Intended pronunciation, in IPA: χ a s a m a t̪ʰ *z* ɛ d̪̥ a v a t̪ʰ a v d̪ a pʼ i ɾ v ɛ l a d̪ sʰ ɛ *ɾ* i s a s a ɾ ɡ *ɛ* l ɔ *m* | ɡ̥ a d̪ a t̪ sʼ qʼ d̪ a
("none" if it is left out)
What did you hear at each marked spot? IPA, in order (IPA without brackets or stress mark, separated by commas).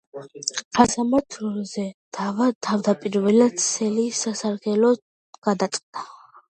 z, l, ɛ, none